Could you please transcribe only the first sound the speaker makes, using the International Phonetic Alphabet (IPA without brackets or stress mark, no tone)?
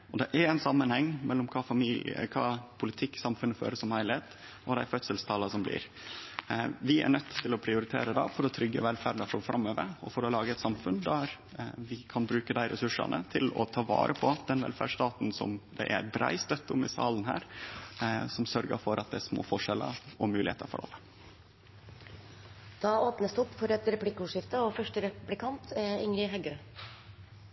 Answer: ɔ